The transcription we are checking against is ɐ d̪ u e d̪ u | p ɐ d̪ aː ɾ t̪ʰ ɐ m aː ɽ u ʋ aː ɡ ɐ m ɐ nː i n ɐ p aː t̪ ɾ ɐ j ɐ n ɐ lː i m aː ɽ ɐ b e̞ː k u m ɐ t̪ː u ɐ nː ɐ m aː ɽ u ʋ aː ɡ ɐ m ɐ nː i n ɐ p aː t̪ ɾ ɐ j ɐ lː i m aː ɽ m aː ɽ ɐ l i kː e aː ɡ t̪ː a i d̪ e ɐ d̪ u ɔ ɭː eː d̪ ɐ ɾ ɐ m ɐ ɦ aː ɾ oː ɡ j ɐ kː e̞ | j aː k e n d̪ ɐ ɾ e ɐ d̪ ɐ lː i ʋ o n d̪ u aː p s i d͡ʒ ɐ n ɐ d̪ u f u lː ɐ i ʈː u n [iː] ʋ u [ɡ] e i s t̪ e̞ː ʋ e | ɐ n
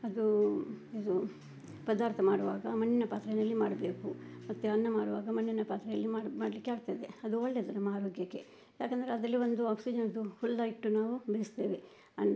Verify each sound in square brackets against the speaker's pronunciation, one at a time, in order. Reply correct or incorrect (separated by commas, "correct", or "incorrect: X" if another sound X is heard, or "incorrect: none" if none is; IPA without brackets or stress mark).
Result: incorrect: aː, incorrect: b